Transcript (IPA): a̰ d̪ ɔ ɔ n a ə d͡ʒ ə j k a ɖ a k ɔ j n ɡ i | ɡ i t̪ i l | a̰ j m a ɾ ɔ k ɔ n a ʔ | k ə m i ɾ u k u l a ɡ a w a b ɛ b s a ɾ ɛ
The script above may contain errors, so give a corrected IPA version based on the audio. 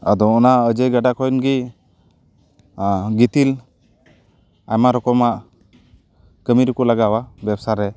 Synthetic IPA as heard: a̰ d̪ ɔ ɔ n a ə d͡ʒ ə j ɡ a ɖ a k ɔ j n ɡ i | ɡ i t̪ i l | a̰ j m a ɾ ɔ k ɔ m a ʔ | k ə m i ɾ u k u l a ɡ a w a b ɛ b s a ɾ ɛ